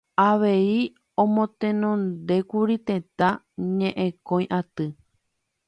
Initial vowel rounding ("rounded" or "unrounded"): unrounded